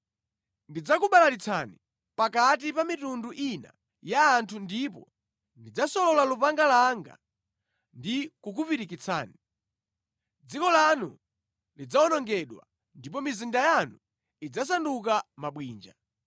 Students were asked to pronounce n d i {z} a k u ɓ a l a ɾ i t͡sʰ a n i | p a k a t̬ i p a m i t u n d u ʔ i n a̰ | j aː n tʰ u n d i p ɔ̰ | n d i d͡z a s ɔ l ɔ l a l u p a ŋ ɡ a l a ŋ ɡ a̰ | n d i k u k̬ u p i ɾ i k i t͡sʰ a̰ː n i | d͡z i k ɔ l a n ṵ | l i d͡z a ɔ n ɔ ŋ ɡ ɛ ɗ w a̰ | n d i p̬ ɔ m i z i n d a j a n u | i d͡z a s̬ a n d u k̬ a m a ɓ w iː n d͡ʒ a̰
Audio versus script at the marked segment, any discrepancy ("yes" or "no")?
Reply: yes